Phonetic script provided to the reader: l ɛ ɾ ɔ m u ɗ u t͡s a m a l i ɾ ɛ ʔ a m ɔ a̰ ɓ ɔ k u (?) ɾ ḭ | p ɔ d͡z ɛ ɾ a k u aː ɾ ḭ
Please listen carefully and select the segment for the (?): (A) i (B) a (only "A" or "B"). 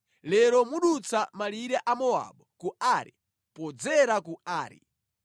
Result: B